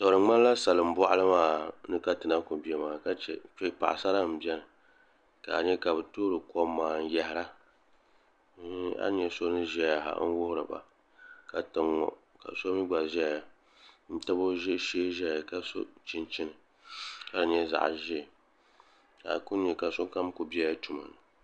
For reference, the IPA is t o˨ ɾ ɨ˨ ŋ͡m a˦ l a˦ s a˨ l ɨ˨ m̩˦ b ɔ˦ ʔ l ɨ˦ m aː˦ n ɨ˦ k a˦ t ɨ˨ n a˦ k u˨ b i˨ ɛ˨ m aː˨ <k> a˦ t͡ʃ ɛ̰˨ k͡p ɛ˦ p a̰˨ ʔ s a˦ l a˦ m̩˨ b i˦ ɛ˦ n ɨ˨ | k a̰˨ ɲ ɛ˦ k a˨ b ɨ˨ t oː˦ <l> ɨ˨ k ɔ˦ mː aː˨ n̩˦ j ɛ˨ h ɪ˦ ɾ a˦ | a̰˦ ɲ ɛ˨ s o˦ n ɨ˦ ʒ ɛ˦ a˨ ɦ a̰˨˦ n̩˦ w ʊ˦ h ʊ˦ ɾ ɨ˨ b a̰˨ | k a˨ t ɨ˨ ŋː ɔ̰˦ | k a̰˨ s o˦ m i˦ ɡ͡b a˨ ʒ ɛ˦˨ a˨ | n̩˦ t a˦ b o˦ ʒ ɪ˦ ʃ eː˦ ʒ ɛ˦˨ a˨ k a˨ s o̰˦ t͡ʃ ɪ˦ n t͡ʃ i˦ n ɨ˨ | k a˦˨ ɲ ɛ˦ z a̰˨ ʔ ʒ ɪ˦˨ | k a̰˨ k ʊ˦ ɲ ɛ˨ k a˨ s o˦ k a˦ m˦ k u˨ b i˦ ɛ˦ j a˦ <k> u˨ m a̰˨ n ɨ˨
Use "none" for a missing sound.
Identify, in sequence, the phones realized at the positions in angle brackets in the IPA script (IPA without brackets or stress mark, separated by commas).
k, ɾ, t